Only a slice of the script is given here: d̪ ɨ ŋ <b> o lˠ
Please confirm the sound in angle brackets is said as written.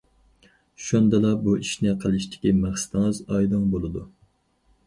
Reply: yes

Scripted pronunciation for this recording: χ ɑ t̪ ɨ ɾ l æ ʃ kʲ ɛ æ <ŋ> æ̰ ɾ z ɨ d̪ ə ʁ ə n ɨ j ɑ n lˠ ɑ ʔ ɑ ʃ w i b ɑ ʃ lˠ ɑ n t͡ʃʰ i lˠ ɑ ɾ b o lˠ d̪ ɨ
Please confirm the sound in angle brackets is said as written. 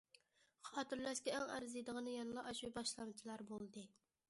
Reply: yes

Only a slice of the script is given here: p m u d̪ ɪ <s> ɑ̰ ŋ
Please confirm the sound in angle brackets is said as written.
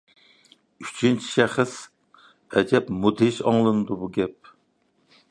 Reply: no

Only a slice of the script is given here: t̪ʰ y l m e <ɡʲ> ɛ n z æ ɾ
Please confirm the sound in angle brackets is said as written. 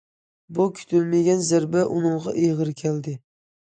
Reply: yes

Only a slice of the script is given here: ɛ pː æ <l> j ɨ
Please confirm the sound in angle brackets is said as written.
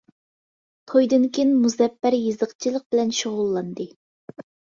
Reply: no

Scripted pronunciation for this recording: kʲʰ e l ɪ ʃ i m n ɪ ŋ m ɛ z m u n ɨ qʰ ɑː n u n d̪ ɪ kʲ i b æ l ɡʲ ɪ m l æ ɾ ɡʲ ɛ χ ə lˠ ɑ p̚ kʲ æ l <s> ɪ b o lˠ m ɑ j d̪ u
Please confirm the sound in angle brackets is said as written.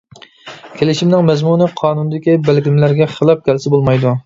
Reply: yes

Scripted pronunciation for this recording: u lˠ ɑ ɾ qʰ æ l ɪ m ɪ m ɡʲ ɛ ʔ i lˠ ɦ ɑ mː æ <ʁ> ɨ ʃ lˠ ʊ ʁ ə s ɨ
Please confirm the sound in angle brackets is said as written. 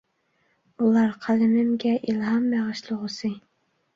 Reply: yes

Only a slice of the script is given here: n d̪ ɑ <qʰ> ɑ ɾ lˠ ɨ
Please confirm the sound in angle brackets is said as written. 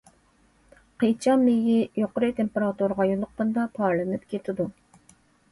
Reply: no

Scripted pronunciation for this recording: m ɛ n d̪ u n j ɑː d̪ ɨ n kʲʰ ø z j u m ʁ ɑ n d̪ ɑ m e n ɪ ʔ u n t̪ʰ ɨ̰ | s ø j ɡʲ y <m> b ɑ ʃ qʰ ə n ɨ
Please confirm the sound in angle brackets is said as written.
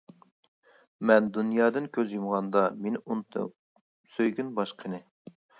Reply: no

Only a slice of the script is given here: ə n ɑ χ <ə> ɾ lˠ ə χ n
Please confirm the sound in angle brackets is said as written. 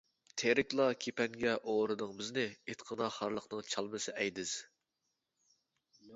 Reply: no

